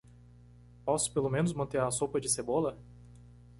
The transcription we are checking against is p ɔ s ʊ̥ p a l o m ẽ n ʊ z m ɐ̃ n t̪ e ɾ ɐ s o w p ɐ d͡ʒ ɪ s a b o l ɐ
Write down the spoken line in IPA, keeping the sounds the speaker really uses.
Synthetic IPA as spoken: p ɔ s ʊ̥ p e l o m ẽ n ʊ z m ɐ̃ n t̪ e ɾ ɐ s o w p ɐ d͡ʒ ɪ s e b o l ɐ